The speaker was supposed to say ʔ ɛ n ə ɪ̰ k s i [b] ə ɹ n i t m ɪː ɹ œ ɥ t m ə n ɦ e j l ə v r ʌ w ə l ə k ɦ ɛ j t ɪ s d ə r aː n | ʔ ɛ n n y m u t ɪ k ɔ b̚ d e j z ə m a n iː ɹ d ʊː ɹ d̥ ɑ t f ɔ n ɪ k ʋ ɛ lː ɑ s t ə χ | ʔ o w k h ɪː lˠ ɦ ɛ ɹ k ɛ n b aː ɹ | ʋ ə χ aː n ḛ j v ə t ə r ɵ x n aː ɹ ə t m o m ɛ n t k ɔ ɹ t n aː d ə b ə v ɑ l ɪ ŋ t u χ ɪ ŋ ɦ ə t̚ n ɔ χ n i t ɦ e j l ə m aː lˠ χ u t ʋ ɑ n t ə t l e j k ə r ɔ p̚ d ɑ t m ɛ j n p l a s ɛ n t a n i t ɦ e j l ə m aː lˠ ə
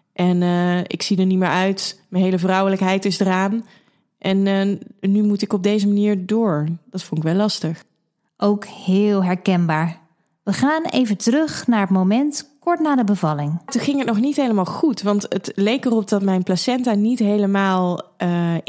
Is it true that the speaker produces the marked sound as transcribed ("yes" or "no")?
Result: no